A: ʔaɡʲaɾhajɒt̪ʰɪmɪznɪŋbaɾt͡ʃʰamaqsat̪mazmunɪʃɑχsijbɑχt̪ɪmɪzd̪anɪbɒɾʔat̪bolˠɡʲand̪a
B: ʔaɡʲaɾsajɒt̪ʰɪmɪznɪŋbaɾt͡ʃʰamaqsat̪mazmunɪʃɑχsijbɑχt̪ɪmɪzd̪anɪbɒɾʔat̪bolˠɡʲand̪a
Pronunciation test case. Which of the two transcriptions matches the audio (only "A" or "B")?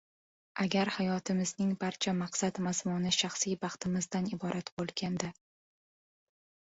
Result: A